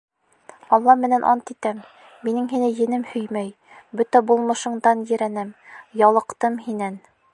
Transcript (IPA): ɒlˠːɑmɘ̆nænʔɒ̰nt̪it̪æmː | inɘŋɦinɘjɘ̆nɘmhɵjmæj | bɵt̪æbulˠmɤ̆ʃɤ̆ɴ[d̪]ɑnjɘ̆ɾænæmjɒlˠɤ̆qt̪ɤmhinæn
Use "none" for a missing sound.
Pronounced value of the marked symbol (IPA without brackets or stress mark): d̪